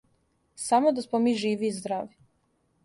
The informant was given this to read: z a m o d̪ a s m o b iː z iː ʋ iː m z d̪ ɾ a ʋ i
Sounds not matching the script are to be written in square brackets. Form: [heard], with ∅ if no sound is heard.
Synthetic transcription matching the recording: [s] a m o d̪ a s m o [m] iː [ʒ] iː ʋ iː [∅] z d̪ ɾ a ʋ i

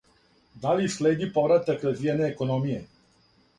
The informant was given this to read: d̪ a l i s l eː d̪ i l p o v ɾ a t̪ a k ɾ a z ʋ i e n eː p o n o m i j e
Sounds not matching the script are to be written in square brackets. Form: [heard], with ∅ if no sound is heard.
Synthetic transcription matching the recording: d̪ a l i s l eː d̪ i [∅] p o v ɾ a t̪ a k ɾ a z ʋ i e n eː [k] o n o m i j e

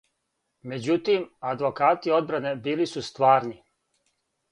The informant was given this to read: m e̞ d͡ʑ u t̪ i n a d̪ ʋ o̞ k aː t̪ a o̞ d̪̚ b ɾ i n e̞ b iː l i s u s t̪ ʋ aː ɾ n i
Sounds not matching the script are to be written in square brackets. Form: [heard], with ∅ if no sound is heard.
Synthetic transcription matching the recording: m e̞ d͡ʑ u t̪ i [m] a d̪ ʋ o̞ k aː t̪ [i] o̞ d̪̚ b ɾ [a] n e̞ b iː l i s u s t̪ ʋ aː ɾ n i

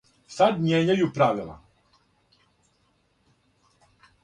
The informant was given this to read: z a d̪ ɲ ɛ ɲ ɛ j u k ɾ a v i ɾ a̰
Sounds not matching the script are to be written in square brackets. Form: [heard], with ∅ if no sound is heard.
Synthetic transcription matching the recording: [s] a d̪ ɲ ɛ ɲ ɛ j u [p] ɾ a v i [l] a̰

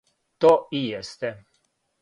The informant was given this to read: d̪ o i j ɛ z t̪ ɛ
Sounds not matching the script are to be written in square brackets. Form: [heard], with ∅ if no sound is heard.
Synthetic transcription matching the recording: [t̪] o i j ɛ [s] t̪ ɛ

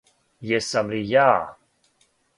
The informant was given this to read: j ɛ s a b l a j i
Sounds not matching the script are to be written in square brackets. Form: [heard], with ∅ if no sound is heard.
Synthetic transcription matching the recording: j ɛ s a [m] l [i] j [a]

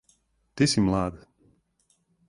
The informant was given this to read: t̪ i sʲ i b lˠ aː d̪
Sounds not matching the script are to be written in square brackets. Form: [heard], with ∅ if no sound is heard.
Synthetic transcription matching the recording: t̪ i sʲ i [m] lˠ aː d̪

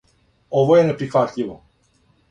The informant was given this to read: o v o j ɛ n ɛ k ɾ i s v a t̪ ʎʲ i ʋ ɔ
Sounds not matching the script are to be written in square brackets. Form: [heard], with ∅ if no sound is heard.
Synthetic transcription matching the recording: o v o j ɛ n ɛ [p] ɾ i [x] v a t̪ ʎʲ i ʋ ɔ

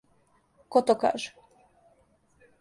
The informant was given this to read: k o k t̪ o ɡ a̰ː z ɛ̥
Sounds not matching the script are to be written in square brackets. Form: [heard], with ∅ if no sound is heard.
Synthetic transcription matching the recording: k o [∅] t̪ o [k] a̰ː [ʒ] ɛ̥

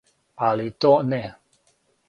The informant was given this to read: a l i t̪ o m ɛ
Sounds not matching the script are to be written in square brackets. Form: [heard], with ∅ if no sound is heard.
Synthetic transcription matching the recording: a l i t̪ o [n] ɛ

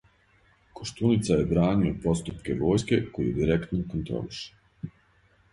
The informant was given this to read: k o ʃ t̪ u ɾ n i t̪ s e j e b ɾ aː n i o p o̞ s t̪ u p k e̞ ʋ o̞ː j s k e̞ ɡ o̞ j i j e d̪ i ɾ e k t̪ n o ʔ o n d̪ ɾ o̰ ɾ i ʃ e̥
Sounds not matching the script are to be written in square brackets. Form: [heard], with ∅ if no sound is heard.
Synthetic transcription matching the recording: k o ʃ t̪ u [∅] n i t̪ s [a] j e b ɾ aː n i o p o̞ s t̪ u p k e̞ ʋ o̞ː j s k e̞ [k] o̞ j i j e d̪ i ɾ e k t̪ n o [k] o n [t̪] ɾ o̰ [l] i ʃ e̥

